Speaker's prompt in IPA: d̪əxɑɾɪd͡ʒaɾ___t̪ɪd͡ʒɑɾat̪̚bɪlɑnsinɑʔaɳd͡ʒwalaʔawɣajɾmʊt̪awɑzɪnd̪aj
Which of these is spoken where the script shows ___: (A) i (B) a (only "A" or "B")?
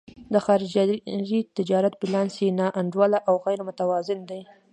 A